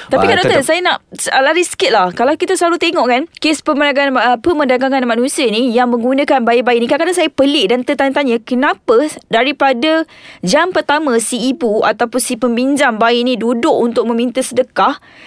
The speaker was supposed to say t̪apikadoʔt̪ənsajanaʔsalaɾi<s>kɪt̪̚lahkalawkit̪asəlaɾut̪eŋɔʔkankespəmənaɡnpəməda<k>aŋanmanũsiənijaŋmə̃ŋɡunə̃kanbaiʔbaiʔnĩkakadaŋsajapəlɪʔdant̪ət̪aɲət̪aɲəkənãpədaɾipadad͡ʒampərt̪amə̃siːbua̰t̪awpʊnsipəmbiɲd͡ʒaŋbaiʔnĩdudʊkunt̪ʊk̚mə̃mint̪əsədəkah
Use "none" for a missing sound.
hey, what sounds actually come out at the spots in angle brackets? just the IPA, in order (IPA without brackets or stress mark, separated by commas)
s, ɡ